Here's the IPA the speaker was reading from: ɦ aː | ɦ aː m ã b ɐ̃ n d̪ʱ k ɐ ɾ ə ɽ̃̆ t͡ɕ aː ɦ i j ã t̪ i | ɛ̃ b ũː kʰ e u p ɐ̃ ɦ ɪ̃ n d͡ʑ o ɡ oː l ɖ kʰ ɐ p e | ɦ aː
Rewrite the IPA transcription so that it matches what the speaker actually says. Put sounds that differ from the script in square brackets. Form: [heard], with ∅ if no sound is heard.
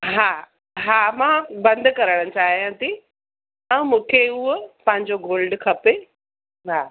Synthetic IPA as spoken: ɦ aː | ɦ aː m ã b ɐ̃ n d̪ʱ k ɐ ɾ ə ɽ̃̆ t͡ɕ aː ɦ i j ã t̪ i | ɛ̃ [m] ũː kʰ e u p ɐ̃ ɦ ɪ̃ [ɲ] d͡ʑ o ɡ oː l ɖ kʰ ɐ p e | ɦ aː

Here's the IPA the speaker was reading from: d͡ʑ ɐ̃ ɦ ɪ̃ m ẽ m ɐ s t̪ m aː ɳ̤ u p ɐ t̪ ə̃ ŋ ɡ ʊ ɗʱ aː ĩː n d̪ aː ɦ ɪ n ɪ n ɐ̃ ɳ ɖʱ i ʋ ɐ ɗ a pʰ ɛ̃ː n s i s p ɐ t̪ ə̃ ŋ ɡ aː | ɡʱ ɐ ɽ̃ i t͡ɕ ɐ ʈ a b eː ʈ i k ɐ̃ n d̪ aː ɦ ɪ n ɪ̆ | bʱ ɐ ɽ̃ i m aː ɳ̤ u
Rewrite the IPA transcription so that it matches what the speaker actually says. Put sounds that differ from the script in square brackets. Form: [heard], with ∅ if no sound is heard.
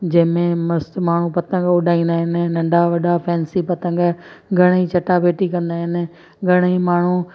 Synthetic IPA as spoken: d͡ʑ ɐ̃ ɦ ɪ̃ m ẽ m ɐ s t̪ m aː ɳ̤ u p ɐ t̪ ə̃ ŋ ɡ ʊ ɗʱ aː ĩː n d̪ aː ɦ ɪ n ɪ n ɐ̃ ɳ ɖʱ [a] ʋ ɐ ɗ a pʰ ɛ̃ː n s i [∅] p ɐ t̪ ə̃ ŋ ɡ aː | ɡʱ ɐ ɽ̃ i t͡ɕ ɐ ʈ a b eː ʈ i k ɐ̃ n d̪ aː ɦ ɪ n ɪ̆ | [ɡʱ] ɐ ɽ̃ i m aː ɳ̤ u

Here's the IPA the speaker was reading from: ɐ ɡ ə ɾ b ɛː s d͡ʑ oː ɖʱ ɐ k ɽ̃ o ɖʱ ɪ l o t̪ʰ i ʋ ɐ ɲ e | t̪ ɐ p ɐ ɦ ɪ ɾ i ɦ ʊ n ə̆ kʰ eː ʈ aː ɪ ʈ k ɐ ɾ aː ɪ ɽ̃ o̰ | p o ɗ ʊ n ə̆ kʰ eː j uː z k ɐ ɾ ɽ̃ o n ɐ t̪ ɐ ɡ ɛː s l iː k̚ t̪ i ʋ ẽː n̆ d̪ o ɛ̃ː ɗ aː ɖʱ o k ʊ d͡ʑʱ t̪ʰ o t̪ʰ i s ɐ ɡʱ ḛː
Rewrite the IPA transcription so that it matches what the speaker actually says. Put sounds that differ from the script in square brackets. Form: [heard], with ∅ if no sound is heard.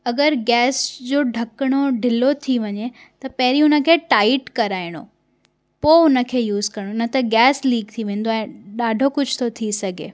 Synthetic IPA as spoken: ɐ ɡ ə ɾ [ɡ] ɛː s d͡ʑ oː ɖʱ ɐ k ɽ̃ o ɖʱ ɪ l o t̪ʰ i ʋ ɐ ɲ e | t̪ ɐ p ɐ ɦ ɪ ɾ i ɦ ʊ n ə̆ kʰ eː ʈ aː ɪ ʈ k ɐ ɾ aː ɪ ɽ̃ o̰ | p o [∅] ʊ n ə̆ kʰ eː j uː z k ɐ ɾ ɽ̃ o n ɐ t̪ ɐ ɡ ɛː s l iː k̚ [t̪ʰ] i ʋ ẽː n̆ d̪ o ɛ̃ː ɗ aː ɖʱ o k ʊ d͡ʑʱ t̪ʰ o t̪ʰ i s ɐ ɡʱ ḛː

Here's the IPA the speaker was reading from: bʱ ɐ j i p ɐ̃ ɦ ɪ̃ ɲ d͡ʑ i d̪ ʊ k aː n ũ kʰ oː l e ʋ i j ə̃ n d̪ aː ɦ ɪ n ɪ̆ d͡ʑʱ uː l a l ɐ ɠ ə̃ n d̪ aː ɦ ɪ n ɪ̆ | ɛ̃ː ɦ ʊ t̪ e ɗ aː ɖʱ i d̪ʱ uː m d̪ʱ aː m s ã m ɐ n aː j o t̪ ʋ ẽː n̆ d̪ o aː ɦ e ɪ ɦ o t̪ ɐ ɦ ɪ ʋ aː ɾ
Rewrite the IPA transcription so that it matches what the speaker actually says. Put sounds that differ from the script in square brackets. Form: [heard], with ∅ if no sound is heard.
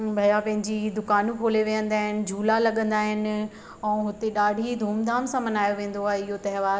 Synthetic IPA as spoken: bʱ ɐ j [a] p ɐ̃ ɦ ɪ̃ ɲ d͡ʑ i d̪ ʊ k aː n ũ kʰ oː l e ʋ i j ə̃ n d̪ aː ɦ ɪ n ɪ̆ d͡ʑʱ uː l a l ɐ ɠ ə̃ n d̪ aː ɦ ɪ n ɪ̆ | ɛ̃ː ɦ ʊ t̪ e ɗ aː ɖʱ i d̪ʱ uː m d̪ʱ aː m s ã m ɐ n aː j o [∅] ʋ ẽː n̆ d̪ o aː ɦ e ɪ ɦ o t̪ ɐ ɦ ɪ ʋ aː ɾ

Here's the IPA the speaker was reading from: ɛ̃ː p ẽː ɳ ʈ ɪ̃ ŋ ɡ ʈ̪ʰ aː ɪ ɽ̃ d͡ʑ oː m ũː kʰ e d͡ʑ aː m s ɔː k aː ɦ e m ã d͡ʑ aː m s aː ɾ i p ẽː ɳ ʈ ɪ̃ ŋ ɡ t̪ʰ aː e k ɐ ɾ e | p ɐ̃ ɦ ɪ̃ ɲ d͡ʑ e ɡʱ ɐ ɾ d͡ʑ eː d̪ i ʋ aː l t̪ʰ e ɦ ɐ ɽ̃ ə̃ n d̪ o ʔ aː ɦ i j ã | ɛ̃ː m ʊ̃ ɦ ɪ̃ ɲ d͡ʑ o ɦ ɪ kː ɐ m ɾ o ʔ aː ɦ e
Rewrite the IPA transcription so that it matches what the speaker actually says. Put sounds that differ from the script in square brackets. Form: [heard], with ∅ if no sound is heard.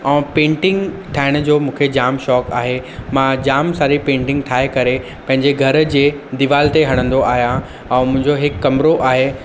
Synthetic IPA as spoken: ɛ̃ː p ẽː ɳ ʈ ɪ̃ ŋ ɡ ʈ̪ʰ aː ɪ ɽ̃ d͡ʑ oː m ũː kʰ e d͡ʑ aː m [ʃ] ɔː k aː ɦ e m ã d͡ʑ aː m s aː ɾ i p ẽː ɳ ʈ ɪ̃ ŋ ɡ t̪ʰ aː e k ɐ ɾ e | p ɐ̃ ɦ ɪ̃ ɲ d͡ʑ e ɡʱ ɐ ɾ d͡ʑ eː d̪ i ʋ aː l [t̪] e ɦ ɐ ɽ̃ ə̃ n d̪ o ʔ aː ɦ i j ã | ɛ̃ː m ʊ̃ ɦ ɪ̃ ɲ d͡ʑ o ɦ ɪ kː ɐ m ɾ o ʔ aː ɦ e

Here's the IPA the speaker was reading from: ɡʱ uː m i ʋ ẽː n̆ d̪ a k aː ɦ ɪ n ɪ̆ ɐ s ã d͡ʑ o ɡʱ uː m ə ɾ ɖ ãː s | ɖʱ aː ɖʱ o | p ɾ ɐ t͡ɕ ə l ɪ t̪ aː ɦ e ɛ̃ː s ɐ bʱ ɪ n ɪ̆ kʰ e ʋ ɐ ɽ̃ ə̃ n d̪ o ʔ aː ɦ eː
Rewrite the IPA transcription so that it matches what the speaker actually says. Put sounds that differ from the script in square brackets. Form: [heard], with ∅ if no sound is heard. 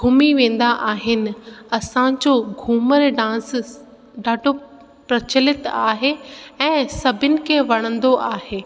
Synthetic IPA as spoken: ɡʱ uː m i ʋ ẽː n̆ d̪ a [ʔ] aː ɦ ɪ n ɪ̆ ɐ s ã d͡ʑ o ɡʱ uː m ə ɾ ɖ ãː s | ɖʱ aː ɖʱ o | p ɾ ɐ t͡ɕ ə l ɪ t̪ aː ɦ e ɛ̃ː s ɐ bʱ ɪ n ɪ̆ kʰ e ʋ ɐ ɽ̃ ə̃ n d̪ o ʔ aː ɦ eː

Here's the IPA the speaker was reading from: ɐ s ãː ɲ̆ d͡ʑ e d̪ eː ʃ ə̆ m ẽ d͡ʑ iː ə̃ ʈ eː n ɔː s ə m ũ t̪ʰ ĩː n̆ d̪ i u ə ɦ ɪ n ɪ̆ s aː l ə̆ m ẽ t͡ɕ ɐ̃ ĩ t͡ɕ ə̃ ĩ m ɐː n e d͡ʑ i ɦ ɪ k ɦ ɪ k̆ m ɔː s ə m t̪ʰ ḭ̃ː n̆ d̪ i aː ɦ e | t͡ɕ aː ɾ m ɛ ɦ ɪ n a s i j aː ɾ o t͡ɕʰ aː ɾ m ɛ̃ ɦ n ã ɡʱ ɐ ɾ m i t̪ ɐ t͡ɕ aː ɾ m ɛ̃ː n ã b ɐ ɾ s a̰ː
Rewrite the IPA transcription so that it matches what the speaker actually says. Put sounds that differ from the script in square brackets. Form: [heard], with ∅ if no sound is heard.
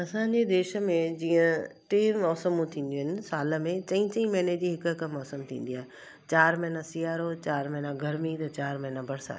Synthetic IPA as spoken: ɐ s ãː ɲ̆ d͡ʑ e d̪ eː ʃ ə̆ m ẽ d͡ʑ iː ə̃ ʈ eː [m] ɔː s ə m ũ t̪ʰ ĩː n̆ d̪ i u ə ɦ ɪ n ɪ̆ s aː l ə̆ m ẽ t͡ɕ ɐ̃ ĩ t͡ɕ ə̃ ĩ m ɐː n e d͡ʑ i ɦ ɪ k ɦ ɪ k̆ m ɔː s ə m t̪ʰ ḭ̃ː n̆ d̪ i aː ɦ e | t͡ɕ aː ɾ m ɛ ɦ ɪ n a s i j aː ɾ o [t͡ɕ] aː ɾ m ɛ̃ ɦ n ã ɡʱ ɐ ɾ m i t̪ ɐ t͡ɕ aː ɾ m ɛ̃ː n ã b ɐ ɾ s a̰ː

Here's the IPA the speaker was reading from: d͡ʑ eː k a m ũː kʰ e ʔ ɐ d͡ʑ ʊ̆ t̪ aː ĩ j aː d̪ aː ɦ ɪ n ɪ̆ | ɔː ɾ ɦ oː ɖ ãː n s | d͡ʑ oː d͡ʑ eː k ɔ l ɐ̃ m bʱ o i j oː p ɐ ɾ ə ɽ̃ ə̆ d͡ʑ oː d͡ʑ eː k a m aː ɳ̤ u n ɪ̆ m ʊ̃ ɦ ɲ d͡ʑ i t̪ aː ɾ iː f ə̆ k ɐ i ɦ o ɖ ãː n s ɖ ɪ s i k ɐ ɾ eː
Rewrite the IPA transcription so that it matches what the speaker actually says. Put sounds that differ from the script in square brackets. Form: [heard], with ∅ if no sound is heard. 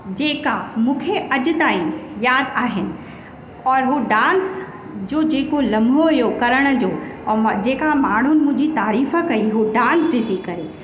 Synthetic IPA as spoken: d͡ʑ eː k a m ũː kʰ e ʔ ɐ d͡ʑ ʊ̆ t̪ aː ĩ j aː d̪ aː ɦ ɪ n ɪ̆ | ɔː ɾ ɦ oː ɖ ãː n s | d͡ʑ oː d͡ʑ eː k [o] l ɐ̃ m bʱ o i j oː [k] ɐ ɾ ə ɽ̃ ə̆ d͡ʑ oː d͡ʑ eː k a m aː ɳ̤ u n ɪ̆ m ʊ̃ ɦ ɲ d͡ʑ i t̪ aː ɾ iː f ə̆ k ɐ i ɦ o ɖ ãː n s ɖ ɪ s i k ɐ ɾ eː

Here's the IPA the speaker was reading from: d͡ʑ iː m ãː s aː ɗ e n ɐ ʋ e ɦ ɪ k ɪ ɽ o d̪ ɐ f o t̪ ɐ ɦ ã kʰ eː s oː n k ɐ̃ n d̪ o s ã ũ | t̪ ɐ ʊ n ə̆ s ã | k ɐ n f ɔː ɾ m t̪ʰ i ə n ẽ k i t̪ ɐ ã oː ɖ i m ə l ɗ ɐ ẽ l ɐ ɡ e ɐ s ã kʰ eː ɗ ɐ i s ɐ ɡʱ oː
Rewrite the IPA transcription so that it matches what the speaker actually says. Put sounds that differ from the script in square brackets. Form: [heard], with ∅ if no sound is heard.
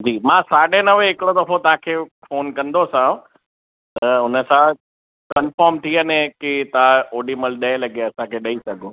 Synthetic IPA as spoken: d͡ʑ iː m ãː s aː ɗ e n ɐ ʋ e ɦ ɪ k ɪ ɽ o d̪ ɐ f o t̪ ɐ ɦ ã kʰ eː [f] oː n k ɐ̃ n d̪ o s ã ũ | t̪ ɐ ʊ n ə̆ s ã | k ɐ n f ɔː ɾ m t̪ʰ i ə n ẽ k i t̪ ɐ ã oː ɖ i m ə l ɗ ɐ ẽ l ɐ ɡ e ɐ s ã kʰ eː ɗ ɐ i s ɐ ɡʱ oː

